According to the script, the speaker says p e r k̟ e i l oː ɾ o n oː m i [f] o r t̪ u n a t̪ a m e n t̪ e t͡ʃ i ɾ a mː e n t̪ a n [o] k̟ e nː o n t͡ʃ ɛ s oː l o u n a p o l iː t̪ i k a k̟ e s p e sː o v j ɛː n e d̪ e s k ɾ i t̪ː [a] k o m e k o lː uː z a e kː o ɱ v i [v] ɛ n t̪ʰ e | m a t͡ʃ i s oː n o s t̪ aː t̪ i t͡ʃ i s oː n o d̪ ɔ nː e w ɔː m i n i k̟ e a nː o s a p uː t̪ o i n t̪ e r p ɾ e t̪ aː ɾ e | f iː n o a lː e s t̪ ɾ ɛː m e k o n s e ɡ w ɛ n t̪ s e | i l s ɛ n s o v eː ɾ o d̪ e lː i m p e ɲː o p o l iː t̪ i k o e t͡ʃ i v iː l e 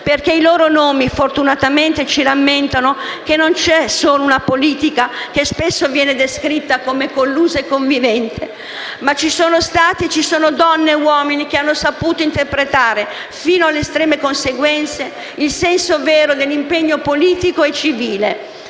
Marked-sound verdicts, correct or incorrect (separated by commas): correct, correct, correct, correct